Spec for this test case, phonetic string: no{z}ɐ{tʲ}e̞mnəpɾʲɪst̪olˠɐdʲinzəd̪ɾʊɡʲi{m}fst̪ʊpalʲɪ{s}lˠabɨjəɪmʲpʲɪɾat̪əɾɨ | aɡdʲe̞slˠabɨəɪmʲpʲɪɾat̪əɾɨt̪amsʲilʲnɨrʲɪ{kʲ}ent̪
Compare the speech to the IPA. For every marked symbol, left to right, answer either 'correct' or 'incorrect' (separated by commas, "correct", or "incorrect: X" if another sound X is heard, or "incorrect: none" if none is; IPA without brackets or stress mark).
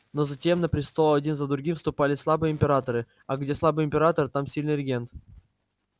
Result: correct, correct, correct, correct, incorrect: ɡʲ